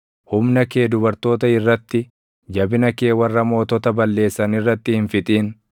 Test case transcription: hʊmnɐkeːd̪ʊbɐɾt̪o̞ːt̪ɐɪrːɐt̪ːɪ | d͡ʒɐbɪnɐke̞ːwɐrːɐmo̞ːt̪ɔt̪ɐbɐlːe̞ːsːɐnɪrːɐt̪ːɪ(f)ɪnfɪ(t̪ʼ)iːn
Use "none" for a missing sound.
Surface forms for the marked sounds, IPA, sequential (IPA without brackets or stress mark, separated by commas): h, t̪ʼ